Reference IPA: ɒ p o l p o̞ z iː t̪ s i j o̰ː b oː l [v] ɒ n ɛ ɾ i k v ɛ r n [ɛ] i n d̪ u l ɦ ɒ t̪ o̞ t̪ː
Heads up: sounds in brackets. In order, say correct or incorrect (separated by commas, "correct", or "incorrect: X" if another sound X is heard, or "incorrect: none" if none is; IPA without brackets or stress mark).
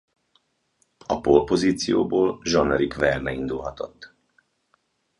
incorrect: ʒ, correct